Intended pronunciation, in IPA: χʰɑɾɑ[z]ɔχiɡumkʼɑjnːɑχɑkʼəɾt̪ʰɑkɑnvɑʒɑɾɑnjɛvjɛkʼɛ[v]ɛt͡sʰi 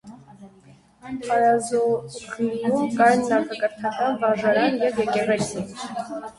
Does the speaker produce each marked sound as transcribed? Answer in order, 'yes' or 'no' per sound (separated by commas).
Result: yes, no